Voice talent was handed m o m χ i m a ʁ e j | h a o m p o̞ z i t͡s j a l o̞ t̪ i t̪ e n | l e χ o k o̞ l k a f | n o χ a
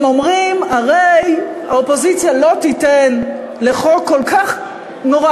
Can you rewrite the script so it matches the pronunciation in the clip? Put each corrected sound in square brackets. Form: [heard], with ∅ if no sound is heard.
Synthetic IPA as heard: m o m [ʁ] i m a ʁ e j | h a o [∅] p o̞ z i t͡s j a l o̞ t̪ i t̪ e n | l e χ o k o̞ l k a [χ] | n o [ʁ] a